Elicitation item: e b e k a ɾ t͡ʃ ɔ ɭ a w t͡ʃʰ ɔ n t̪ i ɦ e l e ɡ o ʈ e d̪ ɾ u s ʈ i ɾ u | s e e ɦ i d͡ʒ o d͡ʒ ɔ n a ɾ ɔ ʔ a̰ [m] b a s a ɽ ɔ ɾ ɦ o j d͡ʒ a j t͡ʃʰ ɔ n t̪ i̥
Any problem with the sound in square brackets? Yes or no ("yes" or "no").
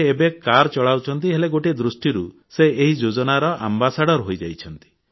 no